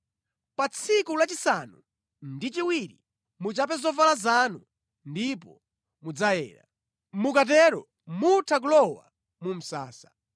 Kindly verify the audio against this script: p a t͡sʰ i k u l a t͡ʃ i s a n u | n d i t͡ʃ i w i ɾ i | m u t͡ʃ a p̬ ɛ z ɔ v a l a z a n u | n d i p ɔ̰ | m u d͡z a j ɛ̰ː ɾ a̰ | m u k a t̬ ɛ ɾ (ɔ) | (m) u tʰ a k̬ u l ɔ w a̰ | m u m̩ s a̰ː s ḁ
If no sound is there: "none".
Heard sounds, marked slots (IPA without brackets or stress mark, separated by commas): ɔ, m